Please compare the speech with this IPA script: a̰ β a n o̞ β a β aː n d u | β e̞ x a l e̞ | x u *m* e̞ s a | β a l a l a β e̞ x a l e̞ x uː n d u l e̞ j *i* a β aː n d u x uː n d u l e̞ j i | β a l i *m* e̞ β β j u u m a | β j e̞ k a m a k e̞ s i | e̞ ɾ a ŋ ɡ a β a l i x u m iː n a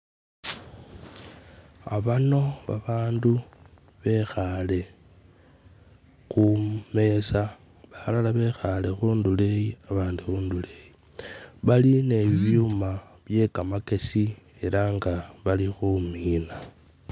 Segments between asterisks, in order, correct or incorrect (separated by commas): correct, correct, incorrect